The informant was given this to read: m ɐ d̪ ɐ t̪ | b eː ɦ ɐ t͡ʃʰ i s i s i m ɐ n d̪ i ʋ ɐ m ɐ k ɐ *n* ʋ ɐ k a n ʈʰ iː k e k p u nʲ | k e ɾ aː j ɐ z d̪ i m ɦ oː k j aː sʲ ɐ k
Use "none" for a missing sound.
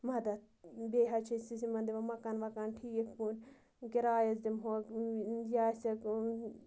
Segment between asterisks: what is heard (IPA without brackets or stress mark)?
n